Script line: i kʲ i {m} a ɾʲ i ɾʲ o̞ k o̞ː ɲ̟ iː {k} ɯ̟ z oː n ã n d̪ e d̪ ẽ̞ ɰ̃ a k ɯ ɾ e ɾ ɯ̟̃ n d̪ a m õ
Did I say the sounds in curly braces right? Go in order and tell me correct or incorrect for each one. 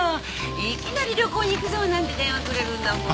incorrect, correct

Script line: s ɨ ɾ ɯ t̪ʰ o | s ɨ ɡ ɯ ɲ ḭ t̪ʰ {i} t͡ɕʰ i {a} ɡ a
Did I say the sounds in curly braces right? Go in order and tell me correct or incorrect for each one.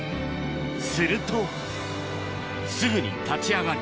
incorrect, correct

